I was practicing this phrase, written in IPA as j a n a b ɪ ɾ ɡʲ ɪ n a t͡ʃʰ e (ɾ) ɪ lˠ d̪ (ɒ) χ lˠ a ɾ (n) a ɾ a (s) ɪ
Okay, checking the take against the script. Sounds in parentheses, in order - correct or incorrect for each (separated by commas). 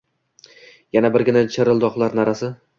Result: correct, correct, correct, correct